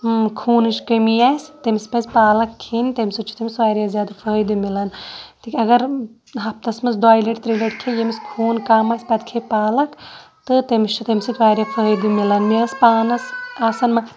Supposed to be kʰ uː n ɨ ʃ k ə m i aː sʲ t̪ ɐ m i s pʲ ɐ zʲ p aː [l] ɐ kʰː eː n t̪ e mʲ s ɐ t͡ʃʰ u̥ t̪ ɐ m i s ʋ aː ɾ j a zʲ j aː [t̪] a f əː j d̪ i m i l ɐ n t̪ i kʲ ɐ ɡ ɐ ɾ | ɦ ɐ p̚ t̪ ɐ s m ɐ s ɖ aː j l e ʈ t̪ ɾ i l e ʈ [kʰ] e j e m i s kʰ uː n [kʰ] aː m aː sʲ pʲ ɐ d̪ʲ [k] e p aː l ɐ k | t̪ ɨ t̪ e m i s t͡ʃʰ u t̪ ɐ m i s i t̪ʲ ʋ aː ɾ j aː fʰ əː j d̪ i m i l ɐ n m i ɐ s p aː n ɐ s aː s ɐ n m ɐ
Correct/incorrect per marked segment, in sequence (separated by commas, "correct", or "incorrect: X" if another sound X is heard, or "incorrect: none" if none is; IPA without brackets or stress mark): correct, incorrect: d̪, correct, incorrect: k, incorrect: kʰ